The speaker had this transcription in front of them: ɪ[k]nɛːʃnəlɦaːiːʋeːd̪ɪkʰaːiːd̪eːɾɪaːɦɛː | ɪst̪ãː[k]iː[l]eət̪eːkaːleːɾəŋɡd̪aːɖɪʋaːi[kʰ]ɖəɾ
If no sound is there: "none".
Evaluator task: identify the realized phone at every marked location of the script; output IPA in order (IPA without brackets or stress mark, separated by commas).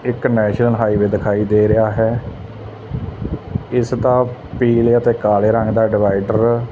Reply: k, p, l, none